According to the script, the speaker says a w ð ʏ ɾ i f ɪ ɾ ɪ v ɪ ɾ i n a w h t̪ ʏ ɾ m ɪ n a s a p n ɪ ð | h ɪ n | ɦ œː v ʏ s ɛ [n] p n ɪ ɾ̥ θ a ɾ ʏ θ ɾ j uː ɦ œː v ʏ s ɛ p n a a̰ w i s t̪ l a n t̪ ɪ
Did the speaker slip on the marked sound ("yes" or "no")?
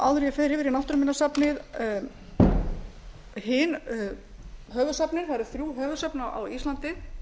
yes